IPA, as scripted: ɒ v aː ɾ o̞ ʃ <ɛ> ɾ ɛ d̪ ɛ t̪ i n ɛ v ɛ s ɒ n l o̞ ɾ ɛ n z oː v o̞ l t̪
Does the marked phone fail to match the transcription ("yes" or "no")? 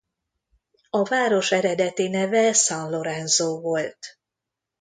no